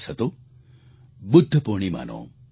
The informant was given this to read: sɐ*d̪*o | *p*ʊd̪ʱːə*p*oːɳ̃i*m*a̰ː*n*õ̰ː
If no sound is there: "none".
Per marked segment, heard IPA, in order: t̪, b, p, m, n

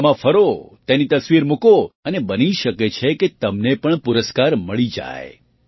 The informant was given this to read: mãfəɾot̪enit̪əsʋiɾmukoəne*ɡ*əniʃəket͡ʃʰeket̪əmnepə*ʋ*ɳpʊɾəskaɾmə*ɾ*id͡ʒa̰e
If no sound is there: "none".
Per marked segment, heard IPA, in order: b, none, ɭ

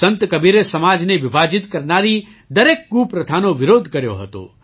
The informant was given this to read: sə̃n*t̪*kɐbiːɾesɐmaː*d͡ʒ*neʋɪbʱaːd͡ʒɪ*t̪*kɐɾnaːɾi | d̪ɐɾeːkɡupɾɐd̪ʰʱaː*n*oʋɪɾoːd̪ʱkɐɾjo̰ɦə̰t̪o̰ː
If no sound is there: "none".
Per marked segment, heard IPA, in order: t̪, d͡ʒ, t̪, n

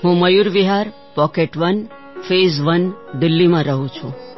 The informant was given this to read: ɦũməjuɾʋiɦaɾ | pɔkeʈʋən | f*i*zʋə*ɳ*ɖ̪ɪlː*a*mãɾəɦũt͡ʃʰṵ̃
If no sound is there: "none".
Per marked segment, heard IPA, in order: e, n, i

